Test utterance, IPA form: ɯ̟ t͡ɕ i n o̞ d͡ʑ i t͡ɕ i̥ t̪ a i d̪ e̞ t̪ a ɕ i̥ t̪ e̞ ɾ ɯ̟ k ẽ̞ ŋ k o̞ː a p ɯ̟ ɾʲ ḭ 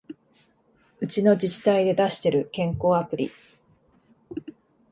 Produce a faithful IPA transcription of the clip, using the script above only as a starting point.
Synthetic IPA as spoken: ɯ̟ t͡ɕ i n o̞ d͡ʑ i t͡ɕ i̥ t̪ a i d̪ e̞ d̪ a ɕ i̥ t̪ e̞ ɾ ɯ̟ k ẽ̞ ŋ k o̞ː a p ɯ̟ ɾʲ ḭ